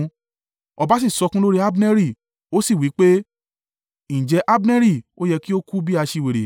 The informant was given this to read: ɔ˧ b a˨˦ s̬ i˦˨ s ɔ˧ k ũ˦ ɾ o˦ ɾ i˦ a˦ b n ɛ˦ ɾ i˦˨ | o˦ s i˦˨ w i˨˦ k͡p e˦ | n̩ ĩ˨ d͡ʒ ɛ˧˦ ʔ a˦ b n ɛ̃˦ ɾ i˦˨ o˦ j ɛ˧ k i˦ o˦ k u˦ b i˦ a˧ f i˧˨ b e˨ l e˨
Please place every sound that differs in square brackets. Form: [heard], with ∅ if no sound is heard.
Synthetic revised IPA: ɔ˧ b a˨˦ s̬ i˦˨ s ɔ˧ k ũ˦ [l] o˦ ɾ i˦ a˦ b n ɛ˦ ɾ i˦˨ | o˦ s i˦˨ w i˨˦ k͡p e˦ | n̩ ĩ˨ d͡ʒ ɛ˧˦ ʔ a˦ b n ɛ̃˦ ɾ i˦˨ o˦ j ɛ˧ k i˦ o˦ k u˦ b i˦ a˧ [ʃ] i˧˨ [w] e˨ [ɾ] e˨

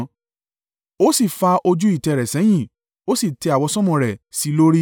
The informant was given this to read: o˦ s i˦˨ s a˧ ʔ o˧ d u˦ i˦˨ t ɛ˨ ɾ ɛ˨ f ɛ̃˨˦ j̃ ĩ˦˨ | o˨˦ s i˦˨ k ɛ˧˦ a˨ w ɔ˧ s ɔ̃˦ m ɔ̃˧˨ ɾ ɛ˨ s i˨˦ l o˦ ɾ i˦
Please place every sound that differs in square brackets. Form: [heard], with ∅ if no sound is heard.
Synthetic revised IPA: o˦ s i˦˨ [f] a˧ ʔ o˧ [d͡ʒ] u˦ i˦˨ t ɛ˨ ɾ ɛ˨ [s] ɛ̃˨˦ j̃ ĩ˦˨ | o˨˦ s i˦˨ [t] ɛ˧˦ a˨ w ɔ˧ s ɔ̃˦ m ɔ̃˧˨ ɾ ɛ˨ s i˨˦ l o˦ ɾ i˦

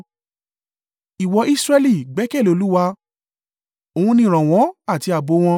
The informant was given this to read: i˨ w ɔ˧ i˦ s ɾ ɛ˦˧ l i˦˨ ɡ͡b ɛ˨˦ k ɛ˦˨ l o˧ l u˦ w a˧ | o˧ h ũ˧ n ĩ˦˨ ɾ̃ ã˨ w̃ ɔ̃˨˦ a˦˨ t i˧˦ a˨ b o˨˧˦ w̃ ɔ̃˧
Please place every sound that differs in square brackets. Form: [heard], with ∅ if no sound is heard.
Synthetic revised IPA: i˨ w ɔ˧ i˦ s ɾ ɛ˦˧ l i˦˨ ɡ͡b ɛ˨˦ k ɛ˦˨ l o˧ l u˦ w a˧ | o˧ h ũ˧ n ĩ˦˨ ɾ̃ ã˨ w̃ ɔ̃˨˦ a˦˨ t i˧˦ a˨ b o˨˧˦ w̃ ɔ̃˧

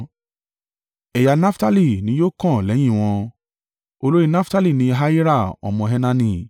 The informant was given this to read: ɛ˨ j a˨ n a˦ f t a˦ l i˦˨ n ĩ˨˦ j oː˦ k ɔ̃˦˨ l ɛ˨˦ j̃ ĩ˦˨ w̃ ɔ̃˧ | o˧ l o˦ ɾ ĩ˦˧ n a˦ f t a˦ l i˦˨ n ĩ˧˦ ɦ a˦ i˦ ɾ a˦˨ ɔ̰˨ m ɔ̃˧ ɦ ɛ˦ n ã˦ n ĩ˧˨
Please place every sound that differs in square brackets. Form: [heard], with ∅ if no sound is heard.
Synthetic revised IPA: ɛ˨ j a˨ n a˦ f t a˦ l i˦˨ n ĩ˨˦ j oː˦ k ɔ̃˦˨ l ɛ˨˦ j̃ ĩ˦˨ w̃ ɔ̃˧ | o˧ l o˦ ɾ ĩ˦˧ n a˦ f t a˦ l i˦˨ n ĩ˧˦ ɦ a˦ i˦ ɾ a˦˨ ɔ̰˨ m ɔ̃˧ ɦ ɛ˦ n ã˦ n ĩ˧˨

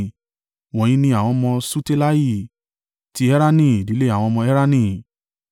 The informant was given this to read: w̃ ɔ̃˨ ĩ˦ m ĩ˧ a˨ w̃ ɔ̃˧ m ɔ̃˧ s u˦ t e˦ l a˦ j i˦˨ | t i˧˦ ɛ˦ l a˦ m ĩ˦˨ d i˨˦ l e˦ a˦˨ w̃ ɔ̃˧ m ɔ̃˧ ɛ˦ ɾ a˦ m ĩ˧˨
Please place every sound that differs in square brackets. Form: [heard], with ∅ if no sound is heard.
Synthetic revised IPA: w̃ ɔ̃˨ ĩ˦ [n] ĩ˧ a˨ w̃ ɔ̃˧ m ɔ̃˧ s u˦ t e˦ l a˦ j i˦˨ | t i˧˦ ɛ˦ [ɾ] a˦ [n] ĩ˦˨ d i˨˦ l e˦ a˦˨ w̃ ɔ̃˧ m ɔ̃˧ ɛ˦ ɾ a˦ [n] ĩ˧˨

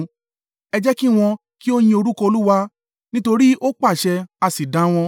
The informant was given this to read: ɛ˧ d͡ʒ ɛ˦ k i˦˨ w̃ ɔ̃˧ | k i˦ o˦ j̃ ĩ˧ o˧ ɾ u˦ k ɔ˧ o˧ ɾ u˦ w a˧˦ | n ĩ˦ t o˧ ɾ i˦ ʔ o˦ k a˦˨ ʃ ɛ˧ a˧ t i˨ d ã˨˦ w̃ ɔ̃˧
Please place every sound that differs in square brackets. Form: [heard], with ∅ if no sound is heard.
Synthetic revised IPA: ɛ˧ d͡ʒ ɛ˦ k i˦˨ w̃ ɔ̃˧ | k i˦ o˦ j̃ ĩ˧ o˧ ɾ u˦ k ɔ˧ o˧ [l] u˦ w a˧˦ | n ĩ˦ t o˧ ɾ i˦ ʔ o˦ [k͡p] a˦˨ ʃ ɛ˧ a˧ [s] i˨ d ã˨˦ w̃ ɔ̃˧

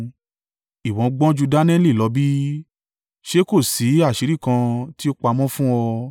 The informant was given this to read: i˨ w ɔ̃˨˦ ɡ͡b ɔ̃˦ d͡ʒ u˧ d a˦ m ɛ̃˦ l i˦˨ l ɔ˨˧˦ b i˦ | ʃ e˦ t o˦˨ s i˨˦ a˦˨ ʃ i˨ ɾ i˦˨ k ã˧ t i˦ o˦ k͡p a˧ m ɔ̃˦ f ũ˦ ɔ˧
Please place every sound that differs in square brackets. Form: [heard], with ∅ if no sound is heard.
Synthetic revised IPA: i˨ w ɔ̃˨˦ ɡ͡b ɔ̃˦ d͡ʒ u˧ d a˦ [n] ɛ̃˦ l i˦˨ l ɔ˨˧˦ b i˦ | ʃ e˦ [k] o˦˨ s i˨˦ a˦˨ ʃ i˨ ɾ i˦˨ k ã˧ t i˦ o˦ k͡p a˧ m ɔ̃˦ f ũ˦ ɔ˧

